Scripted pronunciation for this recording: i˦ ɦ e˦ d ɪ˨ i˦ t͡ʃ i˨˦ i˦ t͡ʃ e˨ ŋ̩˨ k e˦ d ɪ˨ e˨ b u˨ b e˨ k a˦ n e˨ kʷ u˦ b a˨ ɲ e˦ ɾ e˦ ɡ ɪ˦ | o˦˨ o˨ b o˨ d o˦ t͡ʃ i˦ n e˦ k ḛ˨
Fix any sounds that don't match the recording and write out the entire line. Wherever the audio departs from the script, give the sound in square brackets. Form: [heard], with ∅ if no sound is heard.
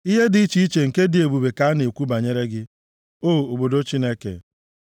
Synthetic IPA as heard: i˦ ɦ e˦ d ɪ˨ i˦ t͡ʃ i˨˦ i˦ t͡ʃ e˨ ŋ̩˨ k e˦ d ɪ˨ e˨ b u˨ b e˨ k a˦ n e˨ kʷ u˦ b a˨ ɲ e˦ ɾ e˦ ɡ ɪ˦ | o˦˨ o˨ b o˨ d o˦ t͡ʃ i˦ n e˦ k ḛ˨